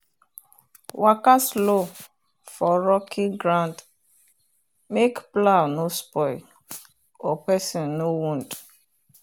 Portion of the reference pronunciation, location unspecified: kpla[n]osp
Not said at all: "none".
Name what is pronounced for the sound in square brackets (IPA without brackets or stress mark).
n